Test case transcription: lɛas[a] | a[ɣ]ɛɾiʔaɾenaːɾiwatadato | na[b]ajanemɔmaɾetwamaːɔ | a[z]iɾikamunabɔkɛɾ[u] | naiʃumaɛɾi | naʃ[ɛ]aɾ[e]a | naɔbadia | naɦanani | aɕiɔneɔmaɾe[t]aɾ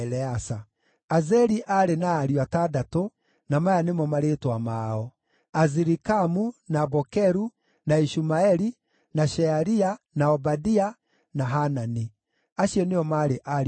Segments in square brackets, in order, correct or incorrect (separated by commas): correct, incorrect, incorrect, correct, correct, correct, incorrect, incorrect